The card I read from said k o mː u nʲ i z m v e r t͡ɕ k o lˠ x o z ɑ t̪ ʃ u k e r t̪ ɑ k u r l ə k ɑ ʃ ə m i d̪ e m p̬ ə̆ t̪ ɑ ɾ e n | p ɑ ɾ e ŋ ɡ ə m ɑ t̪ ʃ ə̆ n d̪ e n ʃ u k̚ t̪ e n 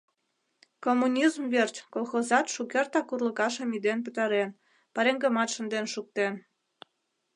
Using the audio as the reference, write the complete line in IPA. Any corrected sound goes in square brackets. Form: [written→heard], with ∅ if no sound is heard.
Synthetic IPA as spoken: k o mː u nʲ i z m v e r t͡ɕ k o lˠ x o z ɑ t̪ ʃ u k e r t̪ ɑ k u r l ə k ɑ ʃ ə m i d̪ e [m→n] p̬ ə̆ t̪ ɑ ɾ e n | p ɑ ɾ e ŋ ɡ ə m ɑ t̪ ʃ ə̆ n d̪ e n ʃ u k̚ t̪ e n